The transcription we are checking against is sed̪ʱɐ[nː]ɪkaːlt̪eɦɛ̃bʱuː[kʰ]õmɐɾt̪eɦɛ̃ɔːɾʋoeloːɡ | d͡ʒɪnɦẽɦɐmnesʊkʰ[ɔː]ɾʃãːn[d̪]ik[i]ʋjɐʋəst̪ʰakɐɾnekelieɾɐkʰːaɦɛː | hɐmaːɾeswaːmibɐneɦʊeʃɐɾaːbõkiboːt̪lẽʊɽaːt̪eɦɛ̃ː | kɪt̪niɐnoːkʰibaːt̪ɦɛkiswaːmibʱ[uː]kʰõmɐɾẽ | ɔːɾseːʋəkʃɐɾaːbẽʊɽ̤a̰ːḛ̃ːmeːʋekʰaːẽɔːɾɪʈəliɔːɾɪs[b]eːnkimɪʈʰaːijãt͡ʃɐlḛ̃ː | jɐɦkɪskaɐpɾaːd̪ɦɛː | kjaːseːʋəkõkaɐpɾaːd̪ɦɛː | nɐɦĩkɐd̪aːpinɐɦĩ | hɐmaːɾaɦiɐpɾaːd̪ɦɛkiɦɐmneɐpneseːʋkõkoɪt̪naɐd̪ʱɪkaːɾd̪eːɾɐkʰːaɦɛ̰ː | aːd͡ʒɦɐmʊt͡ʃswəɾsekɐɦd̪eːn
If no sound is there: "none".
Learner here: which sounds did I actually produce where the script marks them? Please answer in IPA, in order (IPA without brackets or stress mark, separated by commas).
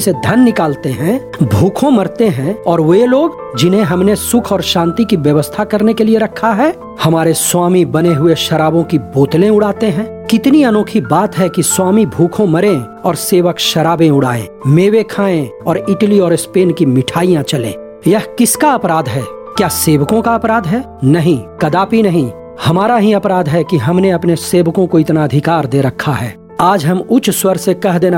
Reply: nː, kʰ, ɔː, t̪, i, uː, p